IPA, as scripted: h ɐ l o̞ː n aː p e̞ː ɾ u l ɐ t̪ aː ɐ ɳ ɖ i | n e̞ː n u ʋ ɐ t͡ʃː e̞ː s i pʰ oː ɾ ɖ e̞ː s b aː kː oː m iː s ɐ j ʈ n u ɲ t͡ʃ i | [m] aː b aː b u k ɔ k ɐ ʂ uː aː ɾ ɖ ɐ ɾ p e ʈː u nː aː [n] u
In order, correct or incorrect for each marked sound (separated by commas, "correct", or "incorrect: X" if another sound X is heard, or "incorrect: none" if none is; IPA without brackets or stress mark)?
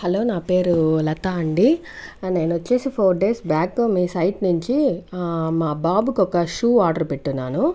correct, correct